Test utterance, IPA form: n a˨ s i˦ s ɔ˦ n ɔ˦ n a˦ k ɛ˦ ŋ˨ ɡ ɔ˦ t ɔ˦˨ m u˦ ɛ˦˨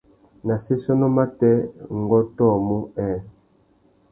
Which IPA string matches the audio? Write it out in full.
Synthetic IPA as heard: n a˨ s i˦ s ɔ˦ n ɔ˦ m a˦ t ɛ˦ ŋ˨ ɡ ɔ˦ t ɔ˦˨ m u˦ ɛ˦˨

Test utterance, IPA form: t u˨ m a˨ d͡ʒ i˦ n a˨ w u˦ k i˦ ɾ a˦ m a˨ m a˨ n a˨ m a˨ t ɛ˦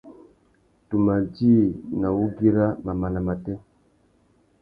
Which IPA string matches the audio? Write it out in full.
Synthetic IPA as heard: t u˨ m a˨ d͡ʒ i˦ n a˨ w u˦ ɡ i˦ ɾ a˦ m a˨ m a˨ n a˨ m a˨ t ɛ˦

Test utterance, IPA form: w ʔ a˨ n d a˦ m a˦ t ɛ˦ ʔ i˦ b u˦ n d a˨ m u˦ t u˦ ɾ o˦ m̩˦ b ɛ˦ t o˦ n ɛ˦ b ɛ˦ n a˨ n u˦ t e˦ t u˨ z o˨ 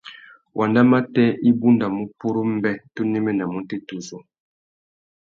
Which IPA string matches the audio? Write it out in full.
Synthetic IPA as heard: w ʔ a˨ n d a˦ m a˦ t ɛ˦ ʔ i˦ b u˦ n d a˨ m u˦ p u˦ ɾ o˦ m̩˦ b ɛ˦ t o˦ n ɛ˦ m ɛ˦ n a˨ m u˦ t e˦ t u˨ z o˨

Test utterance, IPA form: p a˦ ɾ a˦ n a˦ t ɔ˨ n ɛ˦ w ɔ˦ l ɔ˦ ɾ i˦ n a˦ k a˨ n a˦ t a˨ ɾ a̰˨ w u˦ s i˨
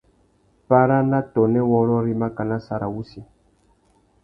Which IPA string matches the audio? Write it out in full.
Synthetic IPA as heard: p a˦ ɾ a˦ n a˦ t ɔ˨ n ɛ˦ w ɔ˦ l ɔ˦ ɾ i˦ m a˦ k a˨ n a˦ s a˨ ɾ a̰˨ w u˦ s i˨

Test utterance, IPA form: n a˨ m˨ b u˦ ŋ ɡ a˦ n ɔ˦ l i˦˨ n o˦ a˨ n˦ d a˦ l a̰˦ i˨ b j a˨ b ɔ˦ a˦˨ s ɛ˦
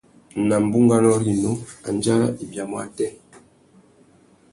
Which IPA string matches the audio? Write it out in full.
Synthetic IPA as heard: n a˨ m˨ b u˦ ŋ ɡ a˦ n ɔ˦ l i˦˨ n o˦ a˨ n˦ d͡ʒ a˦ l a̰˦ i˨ b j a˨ m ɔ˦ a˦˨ t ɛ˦

